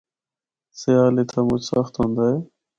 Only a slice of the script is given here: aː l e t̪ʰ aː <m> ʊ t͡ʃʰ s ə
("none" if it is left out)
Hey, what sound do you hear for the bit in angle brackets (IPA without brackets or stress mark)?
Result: m